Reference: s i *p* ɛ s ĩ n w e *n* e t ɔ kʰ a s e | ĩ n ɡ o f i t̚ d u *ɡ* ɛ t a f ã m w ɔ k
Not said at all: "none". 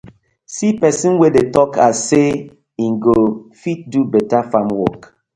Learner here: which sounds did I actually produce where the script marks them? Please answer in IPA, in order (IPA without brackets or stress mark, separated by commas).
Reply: p, d, b